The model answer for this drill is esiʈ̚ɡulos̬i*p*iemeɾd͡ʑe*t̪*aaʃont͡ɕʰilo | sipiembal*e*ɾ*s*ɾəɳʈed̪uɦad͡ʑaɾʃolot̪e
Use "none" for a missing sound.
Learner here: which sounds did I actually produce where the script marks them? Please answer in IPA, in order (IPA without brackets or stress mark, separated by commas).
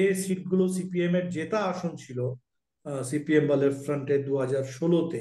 p, t̪, e, f